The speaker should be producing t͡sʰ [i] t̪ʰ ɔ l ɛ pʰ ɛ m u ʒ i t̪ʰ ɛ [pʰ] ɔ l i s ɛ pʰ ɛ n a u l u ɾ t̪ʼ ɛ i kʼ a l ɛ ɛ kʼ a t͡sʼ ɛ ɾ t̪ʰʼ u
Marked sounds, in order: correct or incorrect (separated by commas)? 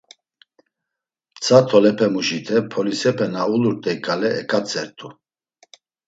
incorrect, correct